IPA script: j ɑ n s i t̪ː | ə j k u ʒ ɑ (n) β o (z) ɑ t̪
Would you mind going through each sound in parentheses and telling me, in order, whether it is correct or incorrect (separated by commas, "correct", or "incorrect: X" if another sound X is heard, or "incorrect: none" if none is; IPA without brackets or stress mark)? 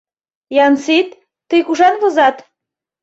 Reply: correct, correct